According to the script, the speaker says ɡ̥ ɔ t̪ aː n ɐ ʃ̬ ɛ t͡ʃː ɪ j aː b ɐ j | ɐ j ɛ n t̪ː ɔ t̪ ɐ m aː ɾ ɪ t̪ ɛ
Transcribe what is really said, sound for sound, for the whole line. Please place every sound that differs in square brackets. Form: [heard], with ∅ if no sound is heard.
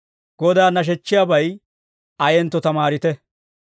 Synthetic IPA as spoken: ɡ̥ ɔ [d̪] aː n ɐ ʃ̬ ɛ t͡ʃː ɪ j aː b ɐ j | ɐ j ɛ n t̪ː ɔ t̪ ɐ m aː ɾ ɪ t̪ ɛ